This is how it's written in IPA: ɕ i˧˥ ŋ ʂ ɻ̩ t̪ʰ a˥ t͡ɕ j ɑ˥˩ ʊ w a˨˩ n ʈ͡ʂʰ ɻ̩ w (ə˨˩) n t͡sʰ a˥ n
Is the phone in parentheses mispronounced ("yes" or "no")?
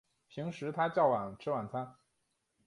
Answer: yes